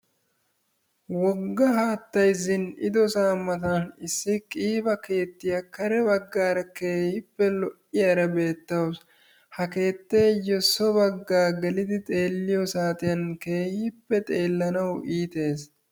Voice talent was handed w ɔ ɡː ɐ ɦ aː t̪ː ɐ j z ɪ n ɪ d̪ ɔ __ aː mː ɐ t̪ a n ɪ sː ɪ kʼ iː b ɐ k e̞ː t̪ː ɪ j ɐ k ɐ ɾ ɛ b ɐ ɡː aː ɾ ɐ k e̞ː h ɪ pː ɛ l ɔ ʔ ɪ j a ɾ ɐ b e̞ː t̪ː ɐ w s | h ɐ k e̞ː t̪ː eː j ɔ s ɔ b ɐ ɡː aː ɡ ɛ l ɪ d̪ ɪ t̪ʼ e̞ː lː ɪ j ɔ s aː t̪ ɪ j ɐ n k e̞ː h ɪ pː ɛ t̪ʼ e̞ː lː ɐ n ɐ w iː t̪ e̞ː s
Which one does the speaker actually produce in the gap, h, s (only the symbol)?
s